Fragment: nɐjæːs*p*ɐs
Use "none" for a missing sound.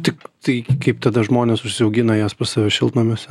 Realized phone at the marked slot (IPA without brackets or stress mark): p